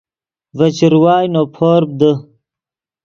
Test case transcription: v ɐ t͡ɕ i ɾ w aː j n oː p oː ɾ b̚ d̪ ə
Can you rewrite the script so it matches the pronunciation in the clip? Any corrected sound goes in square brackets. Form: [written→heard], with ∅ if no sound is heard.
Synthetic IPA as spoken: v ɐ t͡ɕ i ɾ w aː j n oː [p→pʰ] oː ɾ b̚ d̪ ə